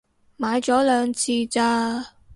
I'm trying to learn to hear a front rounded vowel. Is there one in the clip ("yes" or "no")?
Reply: yes